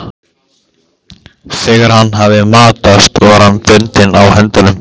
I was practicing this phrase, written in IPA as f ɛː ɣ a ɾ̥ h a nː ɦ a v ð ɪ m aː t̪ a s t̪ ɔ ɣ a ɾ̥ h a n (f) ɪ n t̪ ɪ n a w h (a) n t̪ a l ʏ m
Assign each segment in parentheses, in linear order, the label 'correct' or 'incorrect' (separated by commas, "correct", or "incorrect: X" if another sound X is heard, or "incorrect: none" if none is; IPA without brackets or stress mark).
correct, incorrect: ɛ